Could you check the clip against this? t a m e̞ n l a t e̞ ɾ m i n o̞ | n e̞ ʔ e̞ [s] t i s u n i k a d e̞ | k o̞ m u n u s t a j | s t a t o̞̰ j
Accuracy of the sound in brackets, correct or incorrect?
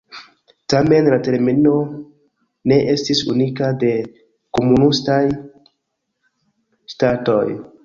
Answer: correct